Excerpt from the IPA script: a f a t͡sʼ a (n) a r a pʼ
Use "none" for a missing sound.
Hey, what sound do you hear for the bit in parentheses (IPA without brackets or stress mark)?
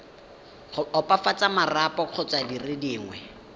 m